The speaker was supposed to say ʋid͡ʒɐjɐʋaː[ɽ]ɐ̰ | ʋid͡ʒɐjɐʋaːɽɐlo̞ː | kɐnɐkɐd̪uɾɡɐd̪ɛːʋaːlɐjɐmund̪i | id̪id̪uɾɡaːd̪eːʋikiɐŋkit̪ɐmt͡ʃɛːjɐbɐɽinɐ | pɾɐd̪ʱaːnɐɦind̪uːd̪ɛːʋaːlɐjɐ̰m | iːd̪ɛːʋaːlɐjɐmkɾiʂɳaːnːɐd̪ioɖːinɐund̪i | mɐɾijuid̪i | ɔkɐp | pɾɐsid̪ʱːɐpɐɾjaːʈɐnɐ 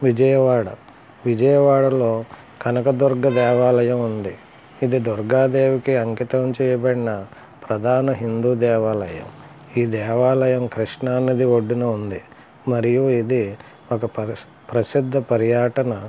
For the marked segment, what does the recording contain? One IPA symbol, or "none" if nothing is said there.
ɽ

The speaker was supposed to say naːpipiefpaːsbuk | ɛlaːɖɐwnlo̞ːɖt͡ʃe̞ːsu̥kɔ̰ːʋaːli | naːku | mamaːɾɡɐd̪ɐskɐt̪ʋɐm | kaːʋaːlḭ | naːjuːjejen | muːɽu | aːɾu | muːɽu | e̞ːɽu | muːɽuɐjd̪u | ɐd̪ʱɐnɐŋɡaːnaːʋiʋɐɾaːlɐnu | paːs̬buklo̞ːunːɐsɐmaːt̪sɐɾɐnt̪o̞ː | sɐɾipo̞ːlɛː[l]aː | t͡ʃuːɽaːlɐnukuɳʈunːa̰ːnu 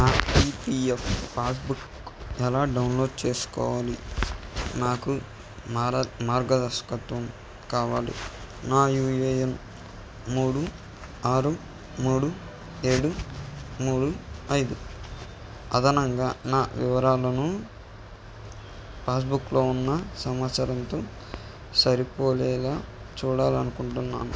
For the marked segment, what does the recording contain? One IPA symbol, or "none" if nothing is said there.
l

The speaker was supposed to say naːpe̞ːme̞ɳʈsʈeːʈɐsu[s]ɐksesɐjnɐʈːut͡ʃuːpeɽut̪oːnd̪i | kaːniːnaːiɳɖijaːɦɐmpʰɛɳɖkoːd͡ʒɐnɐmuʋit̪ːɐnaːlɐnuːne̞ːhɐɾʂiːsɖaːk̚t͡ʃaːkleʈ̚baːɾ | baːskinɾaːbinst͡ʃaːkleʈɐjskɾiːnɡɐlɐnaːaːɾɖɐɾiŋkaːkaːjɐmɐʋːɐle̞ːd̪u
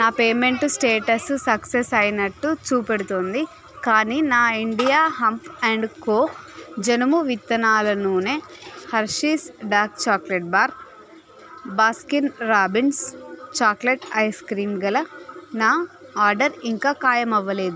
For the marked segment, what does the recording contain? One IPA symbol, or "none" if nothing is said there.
s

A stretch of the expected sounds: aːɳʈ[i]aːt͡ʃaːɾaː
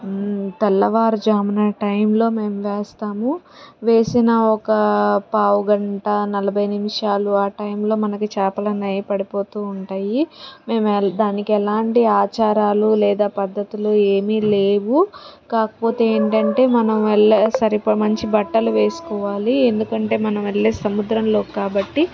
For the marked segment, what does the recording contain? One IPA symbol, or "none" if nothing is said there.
i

